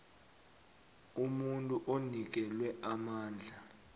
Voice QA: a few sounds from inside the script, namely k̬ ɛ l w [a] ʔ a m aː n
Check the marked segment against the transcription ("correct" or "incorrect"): incorrect